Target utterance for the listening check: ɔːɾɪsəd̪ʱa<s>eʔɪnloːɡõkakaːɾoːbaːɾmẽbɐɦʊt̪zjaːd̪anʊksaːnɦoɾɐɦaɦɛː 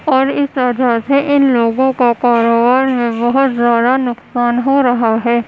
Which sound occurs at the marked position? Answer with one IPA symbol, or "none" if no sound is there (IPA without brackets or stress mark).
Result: s